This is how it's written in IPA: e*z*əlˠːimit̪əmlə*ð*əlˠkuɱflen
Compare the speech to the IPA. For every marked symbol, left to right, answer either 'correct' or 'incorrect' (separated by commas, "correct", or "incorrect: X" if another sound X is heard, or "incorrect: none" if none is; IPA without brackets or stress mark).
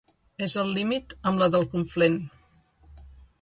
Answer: correct, correct